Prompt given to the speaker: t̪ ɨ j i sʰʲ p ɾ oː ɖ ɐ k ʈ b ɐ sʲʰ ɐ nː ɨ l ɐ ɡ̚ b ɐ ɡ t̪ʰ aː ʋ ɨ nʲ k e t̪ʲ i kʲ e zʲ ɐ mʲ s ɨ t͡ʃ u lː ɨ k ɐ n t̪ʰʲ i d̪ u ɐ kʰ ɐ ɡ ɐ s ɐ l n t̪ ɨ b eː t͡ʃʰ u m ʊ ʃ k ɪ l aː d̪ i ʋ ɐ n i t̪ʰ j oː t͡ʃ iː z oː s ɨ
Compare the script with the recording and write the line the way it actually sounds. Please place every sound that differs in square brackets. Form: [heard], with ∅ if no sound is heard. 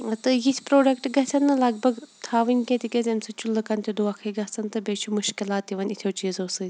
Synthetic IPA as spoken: t̪ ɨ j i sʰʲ p ɾ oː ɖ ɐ k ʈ [ɡ] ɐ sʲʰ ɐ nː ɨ l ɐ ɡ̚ b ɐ ɡ t̪ʰ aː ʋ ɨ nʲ k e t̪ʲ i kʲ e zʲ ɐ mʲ s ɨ t͡ʃ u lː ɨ k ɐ n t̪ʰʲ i d̪ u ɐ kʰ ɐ ɡ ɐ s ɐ [∅] n t̪ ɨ b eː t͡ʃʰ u m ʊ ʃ k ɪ l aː [t̪] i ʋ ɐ n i t̪ʰ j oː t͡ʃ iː z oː s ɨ